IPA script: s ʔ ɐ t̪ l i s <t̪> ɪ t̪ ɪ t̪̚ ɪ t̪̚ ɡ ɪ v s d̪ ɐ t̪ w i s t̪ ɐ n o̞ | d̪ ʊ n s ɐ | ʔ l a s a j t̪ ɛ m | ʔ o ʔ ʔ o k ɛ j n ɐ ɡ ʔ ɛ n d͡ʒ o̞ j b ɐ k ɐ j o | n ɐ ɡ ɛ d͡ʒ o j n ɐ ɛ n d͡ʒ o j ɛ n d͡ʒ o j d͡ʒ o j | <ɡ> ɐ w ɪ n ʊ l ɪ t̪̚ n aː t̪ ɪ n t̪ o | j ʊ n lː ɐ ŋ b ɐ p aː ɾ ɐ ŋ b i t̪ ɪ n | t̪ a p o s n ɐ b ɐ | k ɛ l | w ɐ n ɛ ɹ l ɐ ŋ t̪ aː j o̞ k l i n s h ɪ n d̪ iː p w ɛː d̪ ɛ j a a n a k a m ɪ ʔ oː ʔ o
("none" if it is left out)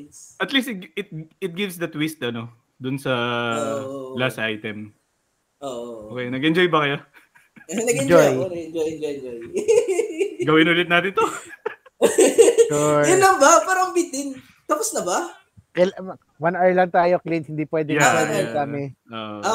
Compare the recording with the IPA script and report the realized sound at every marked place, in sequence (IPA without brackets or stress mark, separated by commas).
t̪, ɡ